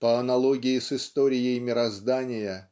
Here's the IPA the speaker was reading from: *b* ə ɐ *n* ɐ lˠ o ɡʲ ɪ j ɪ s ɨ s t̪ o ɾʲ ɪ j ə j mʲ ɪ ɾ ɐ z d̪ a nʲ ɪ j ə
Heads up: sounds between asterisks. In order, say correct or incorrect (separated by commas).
incorrect, correct